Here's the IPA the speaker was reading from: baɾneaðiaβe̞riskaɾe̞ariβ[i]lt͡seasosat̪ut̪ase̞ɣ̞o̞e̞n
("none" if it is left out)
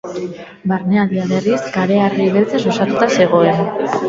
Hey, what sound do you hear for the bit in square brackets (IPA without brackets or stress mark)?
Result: e